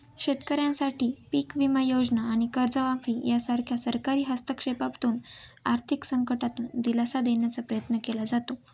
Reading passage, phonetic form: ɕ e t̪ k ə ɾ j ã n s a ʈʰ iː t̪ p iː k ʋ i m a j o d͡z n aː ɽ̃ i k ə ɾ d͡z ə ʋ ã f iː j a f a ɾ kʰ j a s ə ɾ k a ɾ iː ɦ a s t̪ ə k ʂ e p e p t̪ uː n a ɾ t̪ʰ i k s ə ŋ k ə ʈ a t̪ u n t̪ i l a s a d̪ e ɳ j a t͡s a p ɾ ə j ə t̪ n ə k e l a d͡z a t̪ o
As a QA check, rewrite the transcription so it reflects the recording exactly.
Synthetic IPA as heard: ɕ e t̪ k ə ɾ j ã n s a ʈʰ iː p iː k ʋ i m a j o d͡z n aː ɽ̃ i k ə ɾ d͡z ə ʋ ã f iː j a s a ɾ kʰ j a s ə ɾ k a ɾ iː ɦ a s t̪ ə k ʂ e p a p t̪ uː n a ɾ t̪ʰ i k s ə ŋ k ə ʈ a t̪ uː n d̪ i l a s a d̪ e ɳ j a t͡s a p ɾ ə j ə t̪ n ə k e l a d͡z a t̪ o